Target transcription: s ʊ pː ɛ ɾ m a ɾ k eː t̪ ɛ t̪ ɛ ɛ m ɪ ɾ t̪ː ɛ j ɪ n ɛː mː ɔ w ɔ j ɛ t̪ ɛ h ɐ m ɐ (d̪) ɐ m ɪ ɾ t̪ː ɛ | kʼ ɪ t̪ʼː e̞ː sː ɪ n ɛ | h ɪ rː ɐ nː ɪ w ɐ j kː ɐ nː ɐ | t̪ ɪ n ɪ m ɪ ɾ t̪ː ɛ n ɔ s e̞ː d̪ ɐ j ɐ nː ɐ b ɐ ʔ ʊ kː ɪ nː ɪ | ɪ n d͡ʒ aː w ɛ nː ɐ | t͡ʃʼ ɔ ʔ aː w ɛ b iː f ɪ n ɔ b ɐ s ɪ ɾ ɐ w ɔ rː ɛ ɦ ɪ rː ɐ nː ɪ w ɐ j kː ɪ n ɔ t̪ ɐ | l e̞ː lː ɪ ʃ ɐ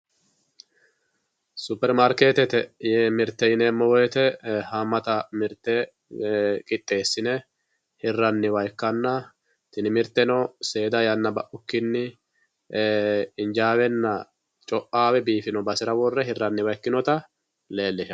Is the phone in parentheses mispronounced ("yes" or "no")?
yes